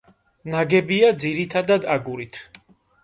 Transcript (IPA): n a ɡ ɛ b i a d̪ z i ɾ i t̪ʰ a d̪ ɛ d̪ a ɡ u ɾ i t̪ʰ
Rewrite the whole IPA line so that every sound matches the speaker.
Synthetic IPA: n a ɡ ɛ b i a d̪ z i ɾ i t̪ʰ a d̪ a d̪ a ɡ u ɾ i t̪ʰ